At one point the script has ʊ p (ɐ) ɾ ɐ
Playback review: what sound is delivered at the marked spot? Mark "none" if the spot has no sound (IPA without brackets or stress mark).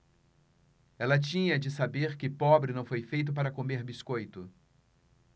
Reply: a